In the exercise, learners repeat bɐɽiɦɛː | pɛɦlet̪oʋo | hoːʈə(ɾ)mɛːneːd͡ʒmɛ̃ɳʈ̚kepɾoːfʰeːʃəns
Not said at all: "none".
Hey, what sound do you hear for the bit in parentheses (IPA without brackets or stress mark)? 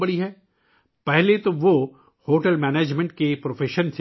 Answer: l